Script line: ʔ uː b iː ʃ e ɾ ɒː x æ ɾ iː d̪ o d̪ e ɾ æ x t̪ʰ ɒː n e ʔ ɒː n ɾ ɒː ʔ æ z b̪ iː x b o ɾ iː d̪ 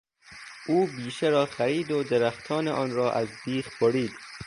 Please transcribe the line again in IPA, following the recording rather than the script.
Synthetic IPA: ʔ uː b iː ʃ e ɾ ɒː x æ ɾ iː d̪ o d̪ e ɾ æ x t̪ʰ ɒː n e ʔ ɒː n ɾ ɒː ʔ æ z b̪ iː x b o ɾ iː d̪